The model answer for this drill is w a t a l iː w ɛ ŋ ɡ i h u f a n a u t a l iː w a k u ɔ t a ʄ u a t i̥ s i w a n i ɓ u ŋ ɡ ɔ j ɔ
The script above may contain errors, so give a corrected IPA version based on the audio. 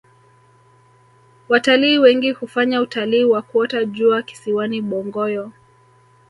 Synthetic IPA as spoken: w a t a l iː w ɛ ŋ ɡ i h u f a ɲ a u t a l iː w a k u ɔ t a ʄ u a k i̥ s i w a n i ɓ ɔ ŋ ɡ ɔ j ɔ